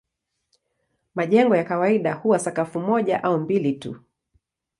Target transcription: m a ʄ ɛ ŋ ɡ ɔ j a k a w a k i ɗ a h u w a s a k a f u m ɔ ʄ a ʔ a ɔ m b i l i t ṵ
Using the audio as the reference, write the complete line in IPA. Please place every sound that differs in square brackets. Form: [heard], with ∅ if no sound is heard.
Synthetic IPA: m a ʄ ɛ ŋ ɡ ɔ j a k a w a [∅] i ɗ a h u w a s a k a f u m ɔ ʄ a ʔ a [u] m b i l i t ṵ